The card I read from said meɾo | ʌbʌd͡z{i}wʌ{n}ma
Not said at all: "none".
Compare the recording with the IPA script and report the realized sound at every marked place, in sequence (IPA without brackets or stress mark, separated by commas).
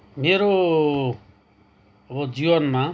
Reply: i, n